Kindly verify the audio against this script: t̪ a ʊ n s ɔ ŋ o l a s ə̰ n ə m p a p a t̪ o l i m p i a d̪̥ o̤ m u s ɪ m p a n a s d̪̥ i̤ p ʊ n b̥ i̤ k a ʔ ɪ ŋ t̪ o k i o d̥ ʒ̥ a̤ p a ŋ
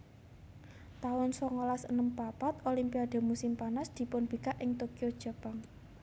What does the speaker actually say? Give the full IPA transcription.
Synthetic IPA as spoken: t̪ a ʊ n s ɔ ŋ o l a s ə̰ n ə m p a p a t̪ o l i m p i a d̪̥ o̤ m u s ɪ m p a n a s d̪̥ i̤ p ʊ n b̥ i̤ k a ʔ ɪ ŋ t̪ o k i o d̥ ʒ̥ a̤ p a ŋ